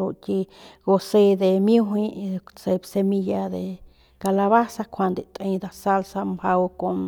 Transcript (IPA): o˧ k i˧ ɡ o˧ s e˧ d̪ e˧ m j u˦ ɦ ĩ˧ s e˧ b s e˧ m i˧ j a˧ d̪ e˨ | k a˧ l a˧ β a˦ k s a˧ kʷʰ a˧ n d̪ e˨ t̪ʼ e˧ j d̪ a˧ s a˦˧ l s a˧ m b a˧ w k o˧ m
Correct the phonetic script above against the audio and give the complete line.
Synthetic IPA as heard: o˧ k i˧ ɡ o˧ s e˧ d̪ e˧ m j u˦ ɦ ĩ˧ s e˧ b s e˧ m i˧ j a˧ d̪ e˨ | k a˧ l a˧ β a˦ s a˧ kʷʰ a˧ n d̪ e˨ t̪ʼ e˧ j d̪ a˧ s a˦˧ l s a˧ m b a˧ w k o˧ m